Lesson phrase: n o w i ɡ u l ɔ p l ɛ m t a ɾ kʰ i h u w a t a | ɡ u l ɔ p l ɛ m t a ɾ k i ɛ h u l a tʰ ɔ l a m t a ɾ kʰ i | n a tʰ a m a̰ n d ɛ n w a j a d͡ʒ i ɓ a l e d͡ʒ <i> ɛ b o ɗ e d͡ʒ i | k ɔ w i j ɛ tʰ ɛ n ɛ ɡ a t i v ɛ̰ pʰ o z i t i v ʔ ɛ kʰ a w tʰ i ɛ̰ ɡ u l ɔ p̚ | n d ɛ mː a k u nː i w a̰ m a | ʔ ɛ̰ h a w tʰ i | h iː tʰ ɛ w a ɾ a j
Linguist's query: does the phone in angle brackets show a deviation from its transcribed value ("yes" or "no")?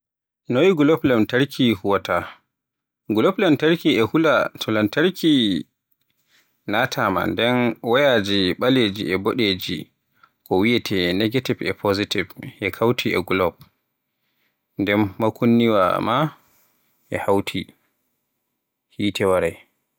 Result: no